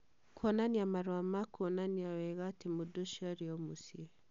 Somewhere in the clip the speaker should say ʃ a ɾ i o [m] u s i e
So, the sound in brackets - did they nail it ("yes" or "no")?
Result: yes